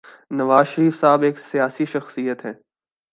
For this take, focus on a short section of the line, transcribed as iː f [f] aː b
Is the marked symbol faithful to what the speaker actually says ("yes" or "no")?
no